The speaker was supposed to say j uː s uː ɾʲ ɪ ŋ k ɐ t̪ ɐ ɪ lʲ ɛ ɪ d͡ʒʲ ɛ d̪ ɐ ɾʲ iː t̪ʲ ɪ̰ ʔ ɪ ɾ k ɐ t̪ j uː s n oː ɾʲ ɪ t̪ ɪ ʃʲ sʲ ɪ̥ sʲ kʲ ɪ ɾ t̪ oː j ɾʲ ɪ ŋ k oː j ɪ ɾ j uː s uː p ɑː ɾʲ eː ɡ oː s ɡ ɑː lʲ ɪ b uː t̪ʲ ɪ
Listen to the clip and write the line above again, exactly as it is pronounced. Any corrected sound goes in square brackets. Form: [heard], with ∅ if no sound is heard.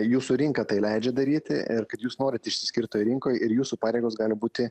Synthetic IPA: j uː s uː ɾʲ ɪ ŋ k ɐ t̪ ɐ ɪ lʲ ɛ ɪ d͡ʒʲ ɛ d̪ ɐ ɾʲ iː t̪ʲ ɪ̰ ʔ ɪ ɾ k ɐ t̪ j uː s n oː ɾʲ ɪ t̪ ɪ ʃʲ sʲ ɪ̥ sʲ kʲ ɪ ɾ t̪ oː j ɾʲ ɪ ŋ k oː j ɪ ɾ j uː s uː p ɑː ɾʲ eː ɡ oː s ɡ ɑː lʲ ɪ b uː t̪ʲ ɪ

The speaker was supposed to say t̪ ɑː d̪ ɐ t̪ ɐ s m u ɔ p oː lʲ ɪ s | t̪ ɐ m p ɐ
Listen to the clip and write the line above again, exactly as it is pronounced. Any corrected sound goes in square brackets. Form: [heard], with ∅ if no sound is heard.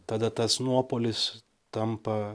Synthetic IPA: t̪ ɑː d̪ ɐ t̪ ɐ s [n] u ɔ p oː lʲ ɪ s | t̪ ɐ m p ɐ

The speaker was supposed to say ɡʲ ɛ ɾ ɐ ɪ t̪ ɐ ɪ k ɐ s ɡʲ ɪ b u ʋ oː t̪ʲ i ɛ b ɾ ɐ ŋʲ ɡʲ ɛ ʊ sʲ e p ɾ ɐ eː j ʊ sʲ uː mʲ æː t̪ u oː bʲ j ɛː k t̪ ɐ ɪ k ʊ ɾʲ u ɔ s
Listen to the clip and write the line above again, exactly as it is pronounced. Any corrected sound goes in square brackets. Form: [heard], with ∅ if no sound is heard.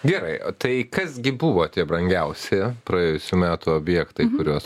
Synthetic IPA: ɡʲ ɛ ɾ ɐ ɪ t̪ ɐ ɪ k ɐ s ɡʲ ɪ b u ʋ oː t̪ʲ i ɛ b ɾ ɐ ŋʲ ɡʲ ɛ ʊ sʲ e p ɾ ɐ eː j ʊ sʲ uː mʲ æː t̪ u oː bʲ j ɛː k t̪ ɐ ɪ k ʊ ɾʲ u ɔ s

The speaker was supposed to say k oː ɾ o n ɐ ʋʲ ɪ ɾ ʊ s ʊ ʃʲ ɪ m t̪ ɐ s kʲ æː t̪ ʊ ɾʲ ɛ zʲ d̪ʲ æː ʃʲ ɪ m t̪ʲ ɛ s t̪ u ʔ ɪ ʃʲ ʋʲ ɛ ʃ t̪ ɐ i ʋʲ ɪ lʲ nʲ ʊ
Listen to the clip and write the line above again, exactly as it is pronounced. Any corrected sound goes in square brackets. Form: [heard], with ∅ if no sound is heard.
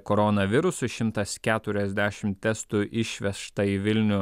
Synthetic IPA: k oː ɾ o n ɐ ʋʲ ɪ ɾ ʊ s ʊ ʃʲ ɪ m t̪ ɐ s kʲ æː t̪ ʊ ɾʲ ɛ zʲ d̪ʲ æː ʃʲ ɪ m t̪ʲ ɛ s t̪ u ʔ ɪ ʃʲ ʋʲ ɛ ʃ t̪ ɐ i ʋʲ ɪ lʲ nʲ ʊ

